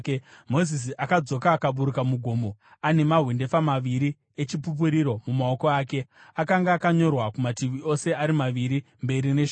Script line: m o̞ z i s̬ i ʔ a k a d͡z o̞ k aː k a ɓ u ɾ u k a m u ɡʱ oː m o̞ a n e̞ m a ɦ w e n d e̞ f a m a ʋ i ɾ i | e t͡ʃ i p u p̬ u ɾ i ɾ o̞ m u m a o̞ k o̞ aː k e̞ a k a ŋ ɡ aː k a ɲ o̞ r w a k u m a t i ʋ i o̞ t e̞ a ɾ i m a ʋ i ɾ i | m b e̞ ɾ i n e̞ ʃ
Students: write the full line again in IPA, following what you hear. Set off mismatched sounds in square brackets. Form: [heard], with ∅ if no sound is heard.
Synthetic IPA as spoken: m o̞ z i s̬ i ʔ a k a d͡z o̞ k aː k a ɓ u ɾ u k a m u ɡʱ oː m o̞ a n e̞ m a ɦ w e n d e̞ f a m a ʋ i ɾ i | e t͡ʃ i p u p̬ u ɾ i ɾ o̞ m u m a o̞ k o̞ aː k e̞ a k a ŋ ɡ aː k a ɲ o̞ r w a k u m a t i ʋ i o̞ [s] e̞ a ɾ i m a ʋ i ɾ i | m b e̞ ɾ i n e̞ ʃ

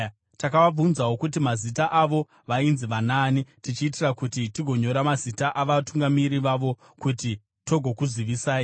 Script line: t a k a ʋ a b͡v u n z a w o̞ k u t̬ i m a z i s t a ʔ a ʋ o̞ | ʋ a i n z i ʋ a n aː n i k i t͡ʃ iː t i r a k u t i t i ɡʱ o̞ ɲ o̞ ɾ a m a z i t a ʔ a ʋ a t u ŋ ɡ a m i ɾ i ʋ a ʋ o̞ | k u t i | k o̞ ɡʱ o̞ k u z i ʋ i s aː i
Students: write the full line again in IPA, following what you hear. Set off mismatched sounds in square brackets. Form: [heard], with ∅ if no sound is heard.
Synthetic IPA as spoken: t a k a ʋ a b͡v u n z a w o̞ k u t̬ i m a z i [∅] t a ʔ a ʋ o̞ | ʋ a i n z i ʋ a n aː n i [t] i t͡ʃ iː t i r a k u t i t i ɡʱ o̞ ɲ o̞ ɾ a m a z i t a ʔ a ʋ a t u ŋ ɡ a m i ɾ i ʋ a ʋ o̞ | k u t i | [t] o̞ ɡʱ o̞ k u z i ʋ i s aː i

